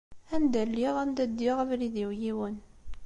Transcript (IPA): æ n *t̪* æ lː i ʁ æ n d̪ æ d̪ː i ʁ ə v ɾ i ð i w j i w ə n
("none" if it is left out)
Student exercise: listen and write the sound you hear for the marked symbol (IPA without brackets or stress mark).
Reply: d̪